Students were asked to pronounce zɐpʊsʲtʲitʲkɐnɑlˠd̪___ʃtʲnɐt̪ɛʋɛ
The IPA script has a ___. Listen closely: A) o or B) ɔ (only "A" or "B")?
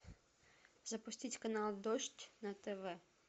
B